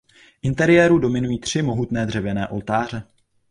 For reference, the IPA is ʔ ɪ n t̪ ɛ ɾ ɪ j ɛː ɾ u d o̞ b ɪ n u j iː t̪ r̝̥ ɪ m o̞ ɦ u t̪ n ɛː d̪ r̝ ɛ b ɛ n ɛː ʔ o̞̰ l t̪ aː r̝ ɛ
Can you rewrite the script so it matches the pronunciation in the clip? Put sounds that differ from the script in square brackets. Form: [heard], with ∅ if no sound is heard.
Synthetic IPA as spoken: ʔ ɪ n t̪ ɛ ɾ ɪ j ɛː ɾ u d o̞ [m] ɪ n u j iː t̪ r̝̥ ɪ m o̞ ɦ u t̪ n ɛː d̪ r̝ ɛ [v] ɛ n ɛː ʔ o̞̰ l t̪ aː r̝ ɛ